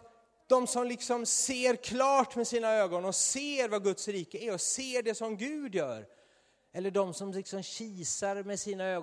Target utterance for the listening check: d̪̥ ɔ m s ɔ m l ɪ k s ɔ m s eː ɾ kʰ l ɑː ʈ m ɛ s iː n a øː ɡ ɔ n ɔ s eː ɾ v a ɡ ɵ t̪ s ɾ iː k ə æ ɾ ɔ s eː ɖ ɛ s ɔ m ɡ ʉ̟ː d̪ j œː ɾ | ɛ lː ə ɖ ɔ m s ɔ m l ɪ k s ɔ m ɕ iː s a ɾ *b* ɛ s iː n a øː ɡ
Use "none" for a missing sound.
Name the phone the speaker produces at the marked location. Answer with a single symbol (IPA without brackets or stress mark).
m